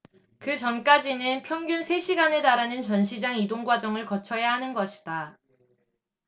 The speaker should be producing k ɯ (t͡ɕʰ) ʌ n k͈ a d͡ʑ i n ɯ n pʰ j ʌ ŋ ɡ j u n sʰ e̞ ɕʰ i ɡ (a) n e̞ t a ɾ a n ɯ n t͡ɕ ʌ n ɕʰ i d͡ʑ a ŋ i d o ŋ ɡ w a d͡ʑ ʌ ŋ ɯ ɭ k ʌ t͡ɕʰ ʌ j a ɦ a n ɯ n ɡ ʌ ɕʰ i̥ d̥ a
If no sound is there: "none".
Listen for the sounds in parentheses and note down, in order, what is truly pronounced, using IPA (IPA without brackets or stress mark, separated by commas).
t͡ɕ, a